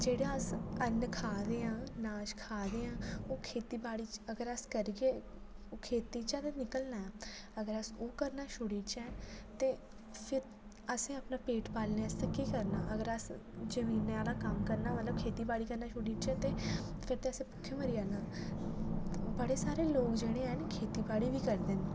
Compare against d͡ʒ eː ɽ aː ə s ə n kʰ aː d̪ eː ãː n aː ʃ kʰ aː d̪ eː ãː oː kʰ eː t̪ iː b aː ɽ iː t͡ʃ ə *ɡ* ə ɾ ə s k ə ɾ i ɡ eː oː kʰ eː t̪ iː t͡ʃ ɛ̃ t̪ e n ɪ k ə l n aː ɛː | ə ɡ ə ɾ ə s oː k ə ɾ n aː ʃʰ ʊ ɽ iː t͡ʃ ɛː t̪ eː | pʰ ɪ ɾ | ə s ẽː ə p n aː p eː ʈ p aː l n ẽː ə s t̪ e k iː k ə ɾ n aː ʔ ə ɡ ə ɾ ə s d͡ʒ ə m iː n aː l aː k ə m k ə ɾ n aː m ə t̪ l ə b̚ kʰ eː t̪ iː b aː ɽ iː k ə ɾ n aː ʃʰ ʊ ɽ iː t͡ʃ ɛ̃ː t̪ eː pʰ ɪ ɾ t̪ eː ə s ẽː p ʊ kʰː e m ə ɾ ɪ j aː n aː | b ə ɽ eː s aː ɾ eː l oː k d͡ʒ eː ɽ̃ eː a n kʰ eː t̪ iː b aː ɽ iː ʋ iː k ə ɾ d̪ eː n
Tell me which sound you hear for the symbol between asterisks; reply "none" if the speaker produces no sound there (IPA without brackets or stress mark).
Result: ɡ